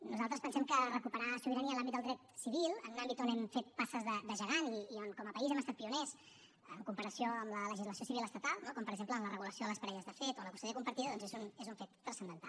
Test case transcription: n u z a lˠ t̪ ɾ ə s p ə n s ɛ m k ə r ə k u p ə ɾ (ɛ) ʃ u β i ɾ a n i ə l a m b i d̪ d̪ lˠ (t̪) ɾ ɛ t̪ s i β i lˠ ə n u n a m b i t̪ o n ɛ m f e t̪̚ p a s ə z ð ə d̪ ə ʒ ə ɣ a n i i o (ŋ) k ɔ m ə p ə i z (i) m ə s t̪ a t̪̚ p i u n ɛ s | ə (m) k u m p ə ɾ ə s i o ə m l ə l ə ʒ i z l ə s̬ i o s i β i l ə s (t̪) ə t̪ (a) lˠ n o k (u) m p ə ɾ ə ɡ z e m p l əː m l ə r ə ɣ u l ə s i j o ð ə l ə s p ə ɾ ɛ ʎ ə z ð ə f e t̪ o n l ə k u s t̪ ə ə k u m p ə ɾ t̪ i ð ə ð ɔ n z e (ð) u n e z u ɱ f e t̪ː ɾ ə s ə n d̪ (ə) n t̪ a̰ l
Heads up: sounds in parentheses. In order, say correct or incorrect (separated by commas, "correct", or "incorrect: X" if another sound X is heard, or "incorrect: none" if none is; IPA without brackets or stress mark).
incorrect: a, incorrect: d̪, incorrect: n, incorrect: ɛ, incorrect: ŋ, correct, correct, incorrect: ɔ, incorrect: z, correct